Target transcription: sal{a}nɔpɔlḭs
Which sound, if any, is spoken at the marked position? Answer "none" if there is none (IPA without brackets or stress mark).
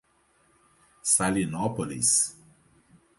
i